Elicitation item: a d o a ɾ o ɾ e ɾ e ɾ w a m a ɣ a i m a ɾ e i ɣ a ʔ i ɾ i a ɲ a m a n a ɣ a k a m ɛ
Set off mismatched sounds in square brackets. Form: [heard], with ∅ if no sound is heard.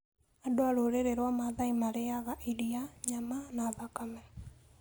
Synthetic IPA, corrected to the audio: a d o a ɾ o ɾ e ɾ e ɾ w a m a [ð] a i m a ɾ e [a] ɣ a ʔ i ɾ i a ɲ a m a n a [ð] a k a m ɛ